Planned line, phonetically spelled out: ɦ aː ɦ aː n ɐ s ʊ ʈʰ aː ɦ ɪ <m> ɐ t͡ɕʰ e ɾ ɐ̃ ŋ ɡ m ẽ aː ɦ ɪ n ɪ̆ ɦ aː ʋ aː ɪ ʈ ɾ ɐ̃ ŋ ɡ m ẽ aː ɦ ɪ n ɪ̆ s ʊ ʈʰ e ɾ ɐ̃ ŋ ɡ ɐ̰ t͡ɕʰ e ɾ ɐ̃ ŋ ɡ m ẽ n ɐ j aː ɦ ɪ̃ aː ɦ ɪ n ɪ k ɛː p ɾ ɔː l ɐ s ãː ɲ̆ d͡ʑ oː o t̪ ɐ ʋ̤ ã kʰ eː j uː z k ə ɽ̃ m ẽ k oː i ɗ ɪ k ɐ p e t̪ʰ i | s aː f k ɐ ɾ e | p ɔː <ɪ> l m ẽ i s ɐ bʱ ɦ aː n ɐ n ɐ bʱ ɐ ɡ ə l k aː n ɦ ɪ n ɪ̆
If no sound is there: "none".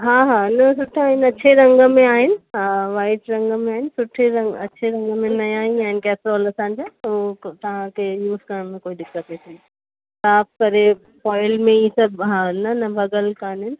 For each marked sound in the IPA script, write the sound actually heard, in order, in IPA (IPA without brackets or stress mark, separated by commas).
n, ɪ